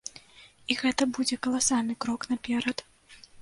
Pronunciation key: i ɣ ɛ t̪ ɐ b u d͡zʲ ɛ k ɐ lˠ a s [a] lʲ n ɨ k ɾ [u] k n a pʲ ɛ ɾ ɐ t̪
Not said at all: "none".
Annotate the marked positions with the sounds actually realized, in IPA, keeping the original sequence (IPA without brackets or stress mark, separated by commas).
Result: a, ɔ